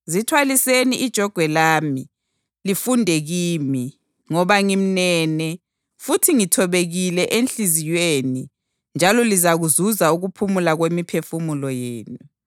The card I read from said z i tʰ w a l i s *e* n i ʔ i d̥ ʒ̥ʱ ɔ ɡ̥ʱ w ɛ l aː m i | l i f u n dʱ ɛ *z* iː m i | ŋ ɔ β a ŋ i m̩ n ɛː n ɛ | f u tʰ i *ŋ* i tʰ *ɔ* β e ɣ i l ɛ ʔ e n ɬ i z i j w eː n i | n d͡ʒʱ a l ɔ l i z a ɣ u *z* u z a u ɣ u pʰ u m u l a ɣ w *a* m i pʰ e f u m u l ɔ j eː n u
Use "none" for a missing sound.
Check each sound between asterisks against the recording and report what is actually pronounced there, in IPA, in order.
e, ɣ, ŋ, ɔ, z, e

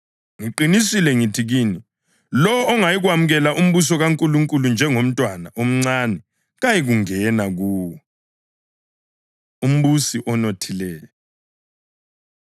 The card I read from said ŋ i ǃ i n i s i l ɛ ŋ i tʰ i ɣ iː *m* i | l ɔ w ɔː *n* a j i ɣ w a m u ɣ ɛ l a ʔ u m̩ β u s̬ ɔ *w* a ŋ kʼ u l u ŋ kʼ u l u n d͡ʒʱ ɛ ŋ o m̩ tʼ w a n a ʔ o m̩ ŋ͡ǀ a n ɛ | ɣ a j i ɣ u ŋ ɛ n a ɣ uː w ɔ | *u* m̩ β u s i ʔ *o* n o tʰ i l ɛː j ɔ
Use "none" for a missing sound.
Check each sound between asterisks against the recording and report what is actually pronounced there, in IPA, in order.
n, ŋ, ɣ, u, ɔ

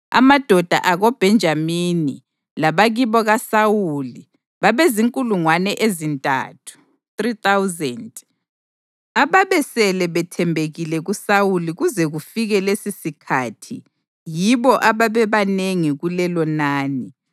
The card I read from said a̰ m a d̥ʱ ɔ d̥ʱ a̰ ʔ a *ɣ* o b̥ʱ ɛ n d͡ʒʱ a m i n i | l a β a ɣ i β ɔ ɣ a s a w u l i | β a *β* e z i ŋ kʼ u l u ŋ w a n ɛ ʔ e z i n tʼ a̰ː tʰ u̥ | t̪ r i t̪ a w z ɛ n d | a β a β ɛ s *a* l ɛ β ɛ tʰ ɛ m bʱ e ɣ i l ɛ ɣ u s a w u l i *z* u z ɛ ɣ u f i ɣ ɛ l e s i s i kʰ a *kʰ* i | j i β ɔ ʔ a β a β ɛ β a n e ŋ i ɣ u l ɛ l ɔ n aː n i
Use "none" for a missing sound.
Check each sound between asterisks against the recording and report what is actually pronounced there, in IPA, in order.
ɣ, β, ɛ, ɣ, tʰ

